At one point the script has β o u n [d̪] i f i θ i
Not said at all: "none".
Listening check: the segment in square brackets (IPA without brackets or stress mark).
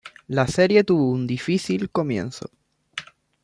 d̪